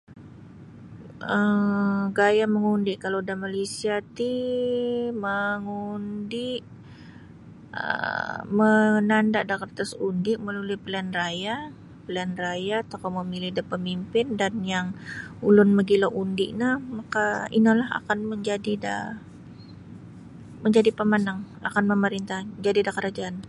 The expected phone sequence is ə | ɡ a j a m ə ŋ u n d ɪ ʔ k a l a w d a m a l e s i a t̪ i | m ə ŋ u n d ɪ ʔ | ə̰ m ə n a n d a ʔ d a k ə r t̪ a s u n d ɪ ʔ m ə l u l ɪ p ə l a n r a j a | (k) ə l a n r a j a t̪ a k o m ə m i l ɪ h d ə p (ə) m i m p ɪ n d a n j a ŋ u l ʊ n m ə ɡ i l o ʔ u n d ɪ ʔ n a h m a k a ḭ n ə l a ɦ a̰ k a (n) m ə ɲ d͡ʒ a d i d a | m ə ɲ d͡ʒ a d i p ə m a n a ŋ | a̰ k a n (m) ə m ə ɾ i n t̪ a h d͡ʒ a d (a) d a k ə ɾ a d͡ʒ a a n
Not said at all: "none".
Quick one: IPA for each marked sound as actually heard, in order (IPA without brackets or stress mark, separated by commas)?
p, ə, n, m, i